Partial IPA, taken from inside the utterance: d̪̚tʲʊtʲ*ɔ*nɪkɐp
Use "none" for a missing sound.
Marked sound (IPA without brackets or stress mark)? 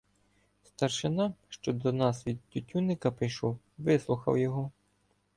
u